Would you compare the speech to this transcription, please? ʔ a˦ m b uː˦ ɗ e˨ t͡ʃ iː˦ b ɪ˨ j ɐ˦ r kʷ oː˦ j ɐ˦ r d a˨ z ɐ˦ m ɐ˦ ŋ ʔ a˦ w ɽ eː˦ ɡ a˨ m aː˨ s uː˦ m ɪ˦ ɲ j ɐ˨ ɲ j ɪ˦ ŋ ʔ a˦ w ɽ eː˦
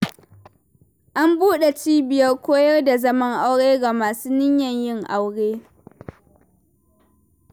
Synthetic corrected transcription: ʔ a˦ m b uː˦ ɗ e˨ t͡ʃ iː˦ b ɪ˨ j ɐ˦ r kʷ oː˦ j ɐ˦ r d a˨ z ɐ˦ m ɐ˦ ŋ ʔ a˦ w ɽ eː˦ ɡ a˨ m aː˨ s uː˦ n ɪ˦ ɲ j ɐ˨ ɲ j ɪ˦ ŋ ʔ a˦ w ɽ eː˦